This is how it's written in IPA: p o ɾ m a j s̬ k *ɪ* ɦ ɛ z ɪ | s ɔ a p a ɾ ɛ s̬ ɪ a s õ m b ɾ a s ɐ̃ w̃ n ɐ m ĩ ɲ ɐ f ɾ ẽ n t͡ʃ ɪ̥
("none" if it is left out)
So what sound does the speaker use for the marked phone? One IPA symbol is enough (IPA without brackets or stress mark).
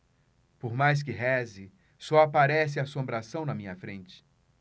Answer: ɪ